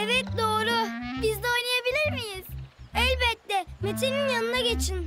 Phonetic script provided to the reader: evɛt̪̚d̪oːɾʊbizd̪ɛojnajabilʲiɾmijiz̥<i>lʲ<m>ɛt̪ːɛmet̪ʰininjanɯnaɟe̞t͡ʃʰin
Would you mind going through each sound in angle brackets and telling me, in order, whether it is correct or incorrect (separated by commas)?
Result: incorrect, incorrect